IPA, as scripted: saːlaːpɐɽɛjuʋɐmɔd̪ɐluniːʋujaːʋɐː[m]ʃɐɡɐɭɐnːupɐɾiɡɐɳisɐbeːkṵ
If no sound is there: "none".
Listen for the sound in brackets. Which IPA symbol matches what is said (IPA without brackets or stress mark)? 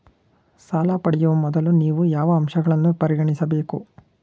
m